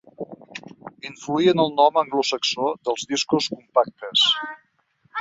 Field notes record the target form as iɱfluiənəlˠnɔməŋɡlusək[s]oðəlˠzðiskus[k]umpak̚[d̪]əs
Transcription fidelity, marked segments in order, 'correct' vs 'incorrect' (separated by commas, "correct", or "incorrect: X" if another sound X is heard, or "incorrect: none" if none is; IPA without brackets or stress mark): correct, correct, incorrect: t̪